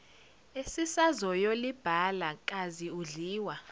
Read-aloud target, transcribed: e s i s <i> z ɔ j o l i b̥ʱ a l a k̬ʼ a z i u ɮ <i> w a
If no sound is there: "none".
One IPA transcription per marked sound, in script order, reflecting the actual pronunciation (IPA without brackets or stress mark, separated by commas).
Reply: a, iː